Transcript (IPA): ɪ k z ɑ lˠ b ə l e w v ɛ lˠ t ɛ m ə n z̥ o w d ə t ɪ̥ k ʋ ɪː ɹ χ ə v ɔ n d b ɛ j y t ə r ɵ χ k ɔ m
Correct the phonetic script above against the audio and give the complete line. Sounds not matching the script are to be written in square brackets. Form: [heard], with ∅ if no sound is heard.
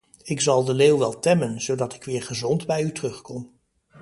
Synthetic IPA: ɪ k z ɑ lˠ [d] ə l e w [ʋ] ɛ lˠ t ɛ m ə n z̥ o w d [ɑ] t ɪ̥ k ʋ ɪː ɹ χ ə [z] ɔ n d b ɛ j y t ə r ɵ χ k ɔ m